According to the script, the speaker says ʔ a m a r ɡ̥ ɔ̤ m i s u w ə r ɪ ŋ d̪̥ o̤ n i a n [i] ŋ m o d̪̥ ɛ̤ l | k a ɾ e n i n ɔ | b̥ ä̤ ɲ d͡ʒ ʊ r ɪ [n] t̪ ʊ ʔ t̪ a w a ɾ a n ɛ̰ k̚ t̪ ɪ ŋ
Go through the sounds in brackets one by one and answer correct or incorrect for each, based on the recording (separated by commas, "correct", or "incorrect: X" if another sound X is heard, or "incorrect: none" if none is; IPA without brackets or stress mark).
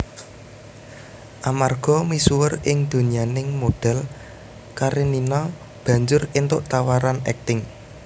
incorrect: ɪ, correct